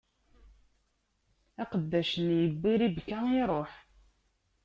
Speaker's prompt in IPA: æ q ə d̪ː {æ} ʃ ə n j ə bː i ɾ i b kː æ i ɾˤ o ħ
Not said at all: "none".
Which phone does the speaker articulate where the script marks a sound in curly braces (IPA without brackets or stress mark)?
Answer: æ